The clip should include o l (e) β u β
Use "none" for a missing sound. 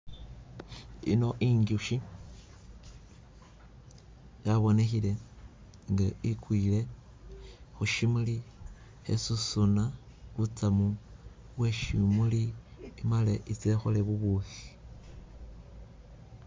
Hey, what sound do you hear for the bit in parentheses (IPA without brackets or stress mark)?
e